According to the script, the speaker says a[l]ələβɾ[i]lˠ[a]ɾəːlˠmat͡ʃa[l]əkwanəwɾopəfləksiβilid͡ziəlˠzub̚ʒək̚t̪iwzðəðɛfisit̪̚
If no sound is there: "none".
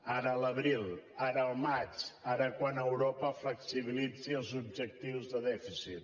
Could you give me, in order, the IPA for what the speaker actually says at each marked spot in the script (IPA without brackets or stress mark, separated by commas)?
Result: ɾ, i, a, ɾ